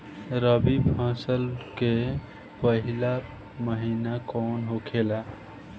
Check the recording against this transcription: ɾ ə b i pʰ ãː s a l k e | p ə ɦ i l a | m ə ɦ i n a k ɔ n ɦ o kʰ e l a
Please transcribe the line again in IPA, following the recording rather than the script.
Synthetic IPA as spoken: ɾ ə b i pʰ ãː s ə l k e | p ə ɦ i l a | m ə ɦ i n a k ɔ n ɦ o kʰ e l a